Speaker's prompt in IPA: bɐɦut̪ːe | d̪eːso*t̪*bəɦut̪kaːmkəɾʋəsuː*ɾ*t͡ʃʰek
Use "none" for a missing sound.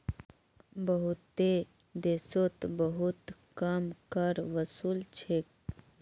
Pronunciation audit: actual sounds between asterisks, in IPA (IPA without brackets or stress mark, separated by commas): t̪, l